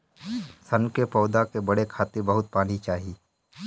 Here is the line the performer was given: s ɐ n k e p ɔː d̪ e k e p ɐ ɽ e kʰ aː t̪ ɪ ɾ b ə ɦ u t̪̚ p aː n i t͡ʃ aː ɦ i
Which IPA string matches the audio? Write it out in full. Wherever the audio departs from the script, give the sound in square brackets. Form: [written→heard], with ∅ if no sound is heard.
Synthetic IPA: s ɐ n k e p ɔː d̪ [e→a] k e [p→b] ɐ ɽ e kʰ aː t̪ ɪ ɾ b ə ɦ [u→ʊ] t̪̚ p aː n i t͡ʃ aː ɦ i